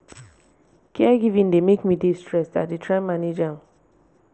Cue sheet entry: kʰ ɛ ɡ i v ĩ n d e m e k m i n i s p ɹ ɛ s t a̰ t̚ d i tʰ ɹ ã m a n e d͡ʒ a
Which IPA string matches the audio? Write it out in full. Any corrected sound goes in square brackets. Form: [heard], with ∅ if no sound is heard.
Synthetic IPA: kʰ ɛ ɡ i v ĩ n d e m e k m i [d] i s [t] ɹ ɛ s t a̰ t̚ d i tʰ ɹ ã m a n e d͡ʒ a